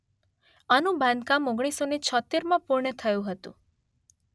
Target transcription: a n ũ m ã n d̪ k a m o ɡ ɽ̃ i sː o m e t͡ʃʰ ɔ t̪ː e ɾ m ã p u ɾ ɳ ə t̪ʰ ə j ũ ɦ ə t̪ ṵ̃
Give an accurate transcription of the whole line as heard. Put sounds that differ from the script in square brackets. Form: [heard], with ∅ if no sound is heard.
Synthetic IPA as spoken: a n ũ [b] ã n d̪ k a m o ɡ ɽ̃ i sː o [n] e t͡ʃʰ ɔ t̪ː e ɾ m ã p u ɾ ɳ ə t̪ʰ ə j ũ ɦ ə t̪ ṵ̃